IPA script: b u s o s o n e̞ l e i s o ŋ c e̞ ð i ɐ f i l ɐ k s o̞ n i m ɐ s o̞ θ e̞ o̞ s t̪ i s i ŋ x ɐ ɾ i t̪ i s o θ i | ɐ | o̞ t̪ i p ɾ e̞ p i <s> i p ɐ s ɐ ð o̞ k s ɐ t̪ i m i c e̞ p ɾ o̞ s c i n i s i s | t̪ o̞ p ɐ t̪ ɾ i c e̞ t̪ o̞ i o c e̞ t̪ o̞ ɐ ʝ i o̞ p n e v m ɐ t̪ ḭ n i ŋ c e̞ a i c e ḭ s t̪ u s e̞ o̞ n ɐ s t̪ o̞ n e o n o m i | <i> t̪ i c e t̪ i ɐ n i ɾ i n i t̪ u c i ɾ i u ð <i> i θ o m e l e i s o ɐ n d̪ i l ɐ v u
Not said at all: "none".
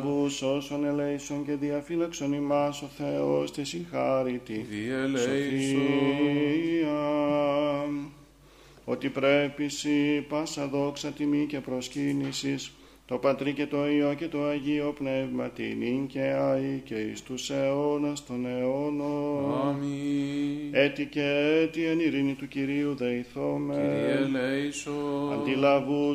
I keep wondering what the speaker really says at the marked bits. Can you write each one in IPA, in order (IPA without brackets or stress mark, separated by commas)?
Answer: s, e, e